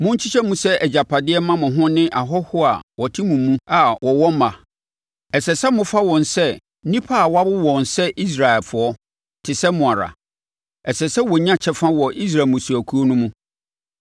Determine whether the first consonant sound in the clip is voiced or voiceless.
voiced